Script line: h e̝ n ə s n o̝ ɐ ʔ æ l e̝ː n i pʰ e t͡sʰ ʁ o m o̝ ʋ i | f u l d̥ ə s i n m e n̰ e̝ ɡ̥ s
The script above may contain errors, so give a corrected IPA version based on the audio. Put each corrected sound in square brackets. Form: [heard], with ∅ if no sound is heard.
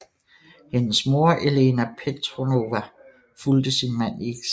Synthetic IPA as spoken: h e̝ n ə s [m] o̝ ɐ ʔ [e] l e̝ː n [æ] pʰ e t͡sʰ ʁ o [n] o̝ ʋ [æ] | f u l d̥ ə s i n m [æ] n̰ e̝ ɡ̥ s